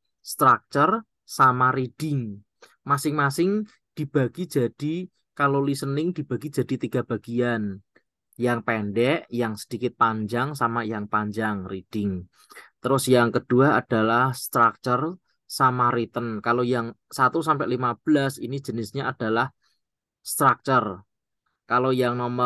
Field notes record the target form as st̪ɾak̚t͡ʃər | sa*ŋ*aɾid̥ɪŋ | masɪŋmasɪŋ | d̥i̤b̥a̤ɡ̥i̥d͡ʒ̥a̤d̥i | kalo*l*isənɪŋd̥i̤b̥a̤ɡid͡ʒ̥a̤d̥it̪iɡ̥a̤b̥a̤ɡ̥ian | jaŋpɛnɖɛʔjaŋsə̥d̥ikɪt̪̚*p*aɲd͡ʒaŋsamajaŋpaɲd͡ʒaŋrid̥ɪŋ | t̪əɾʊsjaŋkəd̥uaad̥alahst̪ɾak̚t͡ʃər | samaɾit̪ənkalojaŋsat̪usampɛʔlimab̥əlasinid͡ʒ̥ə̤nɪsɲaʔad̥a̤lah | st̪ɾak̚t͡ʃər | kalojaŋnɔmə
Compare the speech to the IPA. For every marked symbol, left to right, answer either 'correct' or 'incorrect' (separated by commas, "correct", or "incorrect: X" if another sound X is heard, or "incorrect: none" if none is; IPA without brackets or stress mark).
incorrect: m, correct, correct